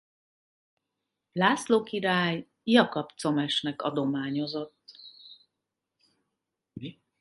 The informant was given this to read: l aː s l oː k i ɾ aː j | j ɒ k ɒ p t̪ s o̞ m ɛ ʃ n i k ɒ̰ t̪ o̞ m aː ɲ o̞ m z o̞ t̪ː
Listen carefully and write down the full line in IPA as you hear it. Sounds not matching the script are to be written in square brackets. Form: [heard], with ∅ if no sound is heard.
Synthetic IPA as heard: l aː s l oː k i ɾ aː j | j ɒ k ɒ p t̪ s o̞ m ɛ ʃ n [ɛ] k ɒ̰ [d̪] o̞ m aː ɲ o̞ [∅] z o̞ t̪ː